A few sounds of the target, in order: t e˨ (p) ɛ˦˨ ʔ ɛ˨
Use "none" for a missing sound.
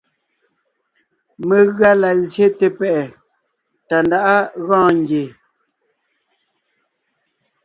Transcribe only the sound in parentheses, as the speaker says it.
p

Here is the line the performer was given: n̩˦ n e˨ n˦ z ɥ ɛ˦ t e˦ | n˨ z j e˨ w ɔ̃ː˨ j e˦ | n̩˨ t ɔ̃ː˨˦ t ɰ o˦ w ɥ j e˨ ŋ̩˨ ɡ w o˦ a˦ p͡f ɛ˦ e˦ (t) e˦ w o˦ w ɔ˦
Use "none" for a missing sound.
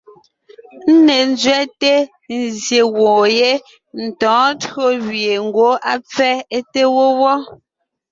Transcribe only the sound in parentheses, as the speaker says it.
t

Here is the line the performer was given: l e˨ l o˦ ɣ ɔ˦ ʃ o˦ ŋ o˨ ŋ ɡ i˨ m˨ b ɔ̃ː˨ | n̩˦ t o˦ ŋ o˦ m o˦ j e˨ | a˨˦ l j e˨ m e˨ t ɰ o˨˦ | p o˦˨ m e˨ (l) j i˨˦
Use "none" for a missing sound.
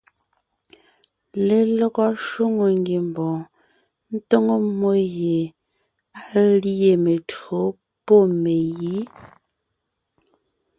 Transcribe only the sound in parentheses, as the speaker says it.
none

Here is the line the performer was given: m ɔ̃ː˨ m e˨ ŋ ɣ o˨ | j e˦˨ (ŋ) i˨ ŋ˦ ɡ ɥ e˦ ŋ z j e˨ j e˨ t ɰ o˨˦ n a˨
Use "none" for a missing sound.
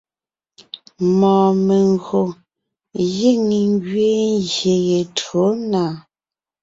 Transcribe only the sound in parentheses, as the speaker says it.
ŋ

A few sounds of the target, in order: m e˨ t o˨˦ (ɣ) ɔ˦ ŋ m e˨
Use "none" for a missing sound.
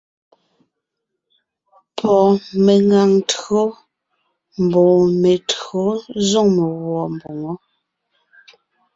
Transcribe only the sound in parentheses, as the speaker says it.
z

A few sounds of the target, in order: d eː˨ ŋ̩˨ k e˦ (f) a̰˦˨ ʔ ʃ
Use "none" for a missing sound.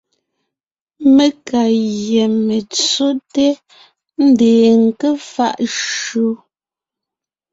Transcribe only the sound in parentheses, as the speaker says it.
f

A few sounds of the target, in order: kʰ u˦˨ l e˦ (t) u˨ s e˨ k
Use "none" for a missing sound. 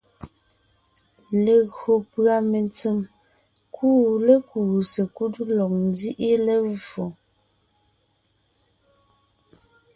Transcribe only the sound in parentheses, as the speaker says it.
k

